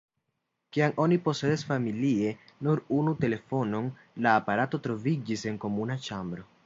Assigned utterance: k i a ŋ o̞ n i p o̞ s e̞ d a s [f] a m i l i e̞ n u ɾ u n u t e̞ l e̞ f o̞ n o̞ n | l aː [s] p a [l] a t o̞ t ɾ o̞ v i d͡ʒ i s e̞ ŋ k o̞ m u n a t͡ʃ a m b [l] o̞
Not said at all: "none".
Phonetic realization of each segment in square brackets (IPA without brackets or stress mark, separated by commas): f, none, ɾ, ɾ